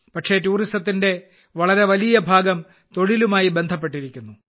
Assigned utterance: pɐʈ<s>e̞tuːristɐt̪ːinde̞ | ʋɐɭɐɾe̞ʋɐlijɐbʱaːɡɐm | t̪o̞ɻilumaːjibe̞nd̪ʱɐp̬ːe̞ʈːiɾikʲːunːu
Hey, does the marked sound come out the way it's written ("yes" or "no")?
no